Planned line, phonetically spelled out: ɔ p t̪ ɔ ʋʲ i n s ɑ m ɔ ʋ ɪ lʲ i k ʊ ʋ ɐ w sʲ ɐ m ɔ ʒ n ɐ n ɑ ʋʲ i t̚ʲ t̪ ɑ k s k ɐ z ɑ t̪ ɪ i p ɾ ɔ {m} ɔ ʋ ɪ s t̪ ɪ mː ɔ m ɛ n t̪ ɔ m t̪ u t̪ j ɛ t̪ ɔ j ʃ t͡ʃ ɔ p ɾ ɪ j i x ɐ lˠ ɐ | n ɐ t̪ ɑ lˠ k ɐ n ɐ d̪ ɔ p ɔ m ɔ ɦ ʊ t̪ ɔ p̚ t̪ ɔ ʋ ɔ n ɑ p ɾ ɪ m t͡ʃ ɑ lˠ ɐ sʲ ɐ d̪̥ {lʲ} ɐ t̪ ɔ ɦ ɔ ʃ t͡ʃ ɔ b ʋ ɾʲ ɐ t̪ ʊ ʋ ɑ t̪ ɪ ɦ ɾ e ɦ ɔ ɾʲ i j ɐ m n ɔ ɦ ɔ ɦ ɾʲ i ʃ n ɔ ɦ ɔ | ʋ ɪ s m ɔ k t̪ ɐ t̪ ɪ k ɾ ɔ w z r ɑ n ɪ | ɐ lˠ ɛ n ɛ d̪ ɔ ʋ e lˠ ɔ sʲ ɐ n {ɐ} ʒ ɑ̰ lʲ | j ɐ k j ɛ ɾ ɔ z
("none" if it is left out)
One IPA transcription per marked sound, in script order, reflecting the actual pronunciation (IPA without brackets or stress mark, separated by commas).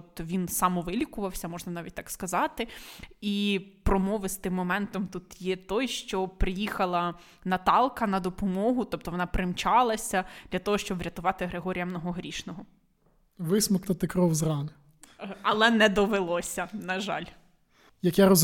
m, lʲ, ɐ